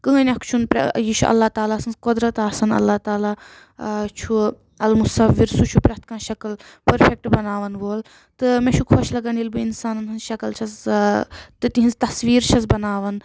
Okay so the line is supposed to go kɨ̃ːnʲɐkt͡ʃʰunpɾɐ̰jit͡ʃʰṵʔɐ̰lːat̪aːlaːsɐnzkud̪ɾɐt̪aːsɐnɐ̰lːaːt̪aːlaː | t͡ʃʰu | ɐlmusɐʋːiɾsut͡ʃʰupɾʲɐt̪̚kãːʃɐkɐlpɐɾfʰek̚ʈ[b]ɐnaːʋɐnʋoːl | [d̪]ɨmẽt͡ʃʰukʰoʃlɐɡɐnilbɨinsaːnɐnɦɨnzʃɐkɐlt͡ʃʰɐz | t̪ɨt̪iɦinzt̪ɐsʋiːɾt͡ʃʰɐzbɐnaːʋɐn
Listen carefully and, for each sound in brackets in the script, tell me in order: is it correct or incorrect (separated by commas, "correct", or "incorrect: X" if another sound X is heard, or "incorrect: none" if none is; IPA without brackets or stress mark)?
correct, incorrect: t̪